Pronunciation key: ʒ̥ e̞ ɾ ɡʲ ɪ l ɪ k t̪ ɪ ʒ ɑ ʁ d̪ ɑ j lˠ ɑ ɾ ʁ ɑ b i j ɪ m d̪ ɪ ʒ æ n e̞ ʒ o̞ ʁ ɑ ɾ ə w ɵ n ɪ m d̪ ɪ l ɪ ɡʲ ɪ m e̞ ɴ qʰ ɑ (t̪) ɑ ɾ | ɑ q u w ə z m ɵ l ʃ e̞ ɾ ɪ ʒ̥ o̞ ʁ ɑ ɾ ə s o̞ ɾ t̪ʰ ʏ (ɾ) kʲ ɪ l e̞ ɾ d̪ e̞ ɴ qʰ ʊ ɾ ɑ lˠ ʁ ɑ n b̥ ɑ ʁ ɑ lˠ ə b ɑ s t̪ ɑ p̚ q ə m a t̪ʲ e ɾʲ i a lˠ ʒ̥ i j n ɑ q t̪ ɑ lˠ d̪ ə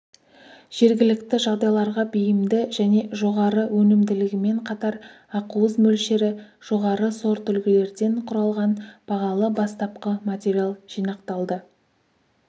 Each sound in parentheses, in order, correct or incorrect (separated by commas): correct, incorrect